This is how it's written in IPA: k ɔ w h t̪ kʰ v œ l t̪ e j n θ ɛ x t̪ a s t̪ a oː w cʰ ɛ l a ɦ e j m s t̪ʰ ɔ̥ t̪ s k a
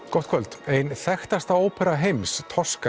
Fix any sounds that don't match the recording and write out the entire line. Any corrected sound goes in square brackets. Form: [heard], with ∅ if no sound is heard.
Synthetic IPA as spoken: k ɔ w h t̪ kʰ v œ l t̪ e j n θ ɛ x t̪ a s t̪ a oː w [pʰ] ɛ [ɾ] a ɦ e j m s t̪ʰ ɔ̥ [∅] s k a